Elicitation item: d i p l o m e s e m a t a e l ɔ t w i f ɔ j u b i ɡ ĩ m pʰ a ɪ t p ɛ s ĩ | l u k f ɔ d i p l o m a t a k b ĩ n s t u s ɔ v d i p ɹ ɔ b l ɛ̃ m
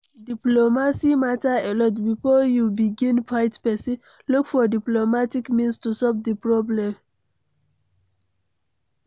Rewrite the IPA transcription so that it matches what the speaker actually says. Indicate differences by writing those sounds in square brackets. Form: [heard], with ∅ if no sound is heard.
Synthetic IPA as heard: d i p l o m [a] s [i] m a t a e l ɔ t [b] i f ɔ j u b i ɡ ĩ [n] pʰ a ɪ t p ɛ s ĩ | l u k f ɔ d i p l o m a t [i] k [m] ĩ n s t u s ɔ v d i p ɹ ɔ b l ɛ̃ m